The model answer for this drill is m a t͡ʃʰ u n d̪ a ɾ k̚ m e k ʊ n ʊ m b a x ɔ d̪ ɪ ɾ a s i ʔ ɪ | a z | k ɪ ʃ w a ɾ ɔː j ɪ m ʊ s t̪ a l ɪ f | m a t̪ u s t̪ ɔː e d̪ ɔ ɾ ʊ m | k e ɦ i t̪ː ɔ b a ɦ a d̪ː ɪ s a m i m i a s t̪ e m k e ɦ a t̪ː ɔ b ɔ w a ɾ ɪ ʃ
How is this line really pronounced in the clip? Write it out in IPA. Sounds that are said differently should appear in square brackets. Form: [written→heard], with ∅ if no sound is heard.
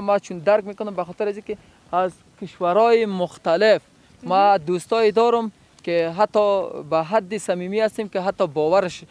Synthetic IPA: m a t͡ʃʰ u n d̪ a ɾ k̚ m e k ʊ n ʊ m b a x ɔ [d̪→t̪] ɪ ɾ a [s→z] i [ʔ→k] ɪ | a z | k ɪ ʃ w a ɾ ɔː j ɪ m ʊ [s→x] t̪ a l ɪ f | m a [t̪→d̪] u s t̪ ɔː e d̪ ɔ ɾ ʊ m | k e ɦ [i→a] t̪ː ɔ b a ɦ a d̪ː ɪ s a m i m i a s t̪ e m k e ɦ a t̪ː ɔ b ɔ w a ɾ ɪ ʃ

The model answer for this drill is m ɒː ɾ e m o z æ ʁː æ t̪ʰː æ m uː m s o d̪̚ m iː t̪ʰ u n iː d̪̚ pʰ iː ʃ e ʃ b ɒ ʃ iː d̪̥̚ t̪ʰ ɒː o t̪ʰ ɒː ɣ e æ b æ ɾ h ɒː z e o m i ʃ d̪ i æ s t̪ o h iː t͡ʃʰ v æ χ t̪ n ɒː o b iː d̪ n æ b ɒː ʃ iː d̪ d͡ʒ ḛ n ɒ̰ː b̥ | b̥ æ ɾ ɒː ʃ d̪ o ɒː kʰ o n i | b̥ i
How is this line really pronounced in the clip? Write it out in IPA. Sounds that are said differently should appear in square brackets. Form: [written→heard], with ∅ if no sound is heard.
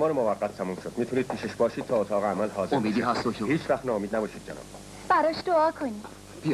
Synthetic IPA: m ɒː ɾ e m o [z→v] æ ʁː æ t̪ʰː æ m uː m [s→ʃ] o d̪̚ m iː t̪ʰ u n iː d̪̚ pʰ iː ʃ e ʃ b [ɒ→ɒː] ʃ iː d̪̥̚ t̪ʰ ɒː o t̪ʰ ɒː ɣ e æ [b→m] æ [ɾ→l] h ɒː z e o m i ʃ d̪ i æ s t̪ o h iː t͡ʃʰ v æ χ t̪ n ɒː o [b→m] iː d̪ n æ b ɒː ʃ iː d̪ d͡ʒ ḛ n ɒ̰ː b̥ | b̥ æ ɾ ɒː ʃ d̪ o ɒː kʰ o n i | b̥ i

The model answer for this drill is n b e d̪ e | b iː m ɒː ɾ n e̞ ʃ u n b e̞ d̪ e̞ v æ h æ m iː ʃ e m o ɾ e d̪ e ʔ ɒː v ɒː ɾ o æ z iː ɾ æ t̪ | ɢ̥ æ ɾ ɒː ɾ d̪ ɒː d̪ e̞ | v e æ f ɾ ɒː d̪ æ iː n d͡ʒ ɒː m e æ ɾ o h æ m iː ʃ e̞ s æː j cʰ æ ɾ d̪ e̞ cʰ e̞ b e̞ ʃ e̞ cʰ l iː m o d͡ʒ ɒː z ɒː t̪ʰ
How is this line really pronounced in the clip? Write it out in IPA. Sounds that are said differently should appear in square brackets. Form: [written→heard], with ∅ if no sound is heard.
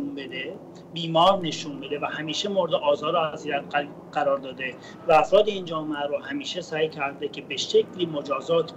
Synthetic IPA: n b e d̪ e | b iː m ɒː ɾ n e̞ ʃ u n b e̞ d̪ e̞ v æ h æ m iː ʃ e m o ɾ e d̪ e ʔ ɒː [v→z] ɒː ɾ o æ z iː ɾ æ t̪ | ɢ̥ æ ɾ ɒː ɾ d̪ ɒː d̪ e̞ | v [e→æ] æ f ɾ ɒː d̪ [æ→e] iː n d͡ʒ ɒː m e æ ɾ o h æ m iː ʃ e̞ s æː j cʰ æ ɾ d̪ e̞ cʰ e̞ b e̞ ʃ e̞ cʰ l iː m o d͡ʒ ɒː z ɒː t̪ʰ

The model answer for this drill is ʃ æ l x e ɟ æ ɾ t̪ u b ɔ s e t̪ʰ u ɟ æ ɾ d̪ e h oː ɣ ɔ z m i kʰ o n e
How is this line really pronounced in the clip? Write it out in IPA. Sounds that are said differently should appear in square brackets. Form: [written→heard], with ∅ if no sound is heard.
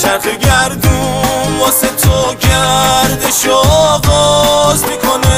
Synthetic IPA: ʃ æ [l→ɾ] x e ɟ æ ɾ [t̪→d̪] u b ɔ s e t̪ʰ [u→o] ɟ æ ɾ d̪ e [h→ʃ] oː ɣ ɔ z m i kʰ o n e

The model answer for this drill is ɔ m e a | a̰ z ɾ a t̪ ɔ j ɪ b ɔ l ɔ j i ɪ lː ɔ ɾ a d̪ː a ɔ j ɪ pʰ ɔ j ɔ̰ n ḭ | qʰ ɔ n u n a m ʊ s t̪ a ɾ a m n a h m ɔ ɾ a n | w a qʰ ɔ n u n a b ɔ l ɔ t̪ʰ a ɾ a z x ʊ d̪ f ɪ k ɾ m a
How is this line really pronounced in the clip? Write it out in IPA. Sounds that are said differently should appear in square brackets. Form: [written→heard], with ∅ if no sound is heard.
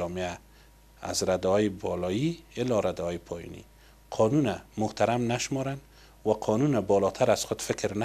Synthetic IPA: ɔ m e a | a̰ z ɾ a [t̪→d̪] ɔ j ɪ b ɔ l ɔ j i ɪ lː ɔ ɾ a [d̪ː→d̪] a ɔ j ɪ pʰ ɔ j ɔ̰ n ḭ | qʰ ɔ n u n a m ʊ [s→h] t̪ a ɾ a m n a [h→ʃ] m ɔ ɾ a n | w a qʰ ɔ n u n a b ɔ l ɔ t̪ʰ a ɾ a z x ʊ d̪ f ɪ k ɾ [m→n] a

